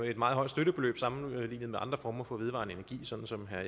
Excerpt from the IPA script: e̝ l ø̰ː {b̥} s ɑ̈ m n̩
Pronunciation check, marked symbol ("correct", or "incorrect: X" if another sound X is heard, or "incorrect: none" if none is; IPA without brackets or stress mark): correct